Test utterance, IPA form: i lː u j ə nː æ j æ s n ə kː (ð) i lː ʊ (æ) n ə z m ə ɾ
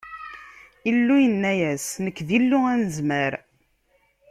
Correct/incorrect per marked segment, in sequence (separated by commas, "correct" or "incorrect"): correct, correct